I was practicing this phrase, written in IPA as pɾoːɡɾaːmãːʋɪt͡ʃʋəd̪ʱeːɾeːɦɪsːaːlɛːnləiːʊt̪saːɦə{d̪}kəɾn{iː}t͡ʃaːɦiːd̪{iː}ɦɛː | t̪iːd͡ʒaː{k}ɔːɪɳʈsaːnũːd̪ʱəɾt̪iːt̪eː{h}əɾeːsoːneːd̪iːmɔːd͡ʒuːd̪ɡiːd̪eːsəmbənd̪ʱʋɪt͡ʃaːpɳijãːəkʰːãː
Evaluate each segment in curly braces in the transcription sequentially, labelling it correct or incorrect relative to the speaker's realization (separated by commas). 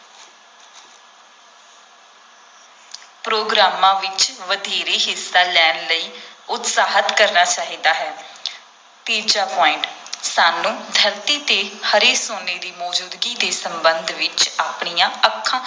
incorrect, incorrect, incorrect, incorrect, correct